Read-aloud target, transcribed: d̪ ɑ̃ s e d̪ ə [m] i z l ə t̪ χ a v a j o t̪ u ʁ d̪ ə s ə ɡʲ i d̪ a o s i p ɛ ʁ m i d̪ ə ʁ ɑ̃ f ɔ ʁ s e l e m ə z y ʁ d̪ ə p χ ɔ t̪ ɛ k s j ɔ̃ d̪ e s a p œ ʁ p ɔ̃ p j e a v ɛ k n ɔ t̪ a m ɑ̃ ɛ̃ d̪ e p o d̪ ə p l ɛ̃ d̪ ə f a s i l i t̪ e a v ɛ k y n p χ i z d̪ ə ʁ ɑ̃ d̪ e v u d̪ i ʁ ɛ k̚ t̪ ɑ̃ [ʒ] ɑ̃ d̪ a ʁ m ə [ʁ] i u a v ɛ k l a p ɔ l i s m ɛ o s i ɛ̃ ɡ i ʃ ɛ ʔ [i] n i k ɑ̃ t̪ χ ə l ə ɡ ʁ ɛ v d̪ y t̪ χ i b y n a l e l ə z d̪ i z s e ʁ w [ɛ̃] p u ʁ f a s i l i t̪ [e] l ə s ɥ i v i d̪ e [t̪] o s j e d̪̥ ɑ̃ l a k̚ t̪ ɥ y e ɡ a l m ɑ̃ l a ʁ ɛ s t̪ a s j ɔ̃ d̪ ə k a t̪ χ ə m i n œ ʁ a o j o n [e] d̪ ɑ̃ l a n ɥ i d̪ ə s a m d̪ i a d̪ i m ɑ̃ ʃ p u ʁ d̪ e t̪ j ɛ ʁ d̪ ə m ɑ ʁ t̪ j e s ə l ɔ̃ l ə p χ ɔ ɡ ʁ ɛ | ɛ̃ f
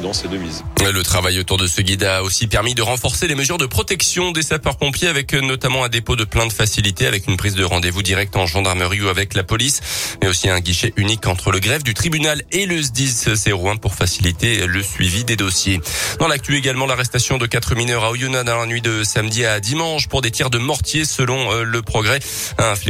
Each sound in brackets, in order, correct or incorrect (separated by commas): correct, correct, correct, incorrect, correct, correct, incorrect, incorrect